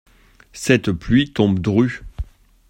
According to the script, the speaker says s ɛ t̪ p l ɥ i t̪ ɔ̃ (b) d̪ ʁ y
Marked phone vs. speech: correct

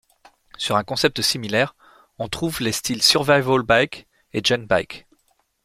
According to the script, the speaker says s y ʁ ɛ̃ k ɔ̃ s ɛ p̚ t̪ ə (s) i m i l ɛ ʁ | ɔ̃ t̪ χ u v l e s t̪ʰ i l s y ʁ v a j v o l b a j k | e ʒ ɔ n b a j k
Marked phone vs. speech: correct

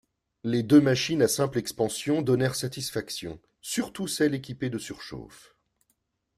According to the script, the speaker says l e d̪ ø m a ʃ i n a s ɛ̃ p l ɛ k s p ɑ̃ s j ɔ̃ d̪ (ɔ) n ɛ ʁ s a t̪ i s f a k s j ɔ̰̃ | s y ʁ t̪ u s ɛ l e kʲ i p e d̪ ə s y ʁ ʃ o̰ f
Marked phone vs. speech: correct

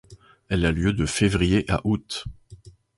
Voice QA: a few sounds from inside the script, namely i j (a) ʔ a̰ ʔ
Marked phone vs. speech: incorrect: e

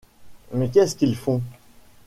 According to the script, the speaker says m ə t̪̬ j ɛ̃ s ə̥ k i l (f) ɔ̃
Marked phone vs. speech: correct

